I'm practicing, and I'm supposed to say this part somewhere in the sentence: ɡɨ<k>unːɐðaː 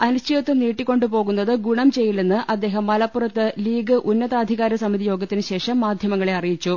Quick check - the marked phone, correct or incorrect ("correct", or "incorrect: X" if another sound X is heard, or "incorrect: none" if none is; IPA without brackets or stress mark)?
incorrect: ʔ